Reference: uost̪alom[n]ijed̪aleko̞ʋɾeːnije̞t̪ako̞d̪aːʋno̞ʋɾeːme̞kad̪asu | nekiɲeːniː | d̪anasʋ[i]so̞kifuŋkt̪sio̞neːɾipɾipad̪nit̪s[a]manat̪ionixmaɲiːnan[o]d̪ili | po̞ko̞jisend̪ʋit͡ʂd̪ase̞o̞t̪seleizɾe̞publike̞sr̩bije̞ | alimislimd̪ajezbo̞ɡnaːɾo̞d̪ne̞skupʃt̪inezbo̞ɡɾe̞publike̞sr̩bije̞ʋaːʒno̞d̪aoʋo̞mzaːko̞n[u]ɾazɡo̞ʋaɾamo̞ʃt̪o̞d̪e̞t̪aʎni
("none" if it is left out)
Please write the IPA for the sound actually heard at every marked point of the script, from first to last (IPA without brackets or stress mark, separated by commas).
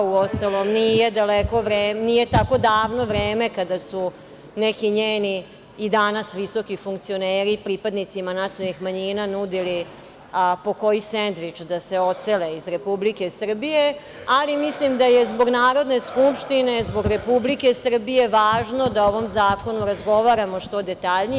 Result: n, i, i, u, u